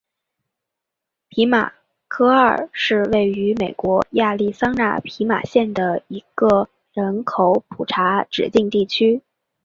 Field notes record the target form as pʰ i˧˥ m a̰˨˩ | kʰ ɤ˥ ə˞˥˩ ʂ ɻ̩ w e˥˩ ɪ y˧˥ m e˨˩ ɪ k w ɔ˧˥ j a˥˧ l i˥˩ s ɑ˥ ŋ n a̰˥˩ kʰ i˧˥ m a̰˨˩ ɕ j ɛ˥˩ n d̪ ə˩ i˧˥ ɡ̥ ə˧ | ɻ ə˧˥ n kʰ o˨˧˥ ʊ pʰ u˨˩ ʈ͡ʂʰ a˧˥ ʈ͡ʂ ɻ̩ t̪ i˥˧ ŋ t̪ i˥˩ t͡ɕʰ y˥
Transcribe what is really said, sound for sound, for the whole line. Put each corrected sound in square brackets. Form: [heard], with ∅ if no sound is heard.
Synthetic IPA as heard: pʰ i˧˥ m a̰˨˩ | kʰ ɤ˥ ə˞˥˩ ʂ ɻ̩ w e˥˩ ɪ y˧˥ m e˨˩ ɪ k w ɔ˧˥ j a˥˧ l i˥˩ s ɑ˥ ŋ n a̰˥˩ [pʰ] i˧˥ m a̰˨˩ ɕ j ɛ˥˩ n d̪ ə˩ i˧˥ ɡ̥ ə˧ | ɻ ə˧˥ n kʰ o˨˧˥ ʊ pʰ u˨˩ ʈ͡ʂʰ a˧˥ ʈ͡ʂ ɻ̩ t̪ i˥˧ ŋ t̪ i˥˩ t͡ɕʰ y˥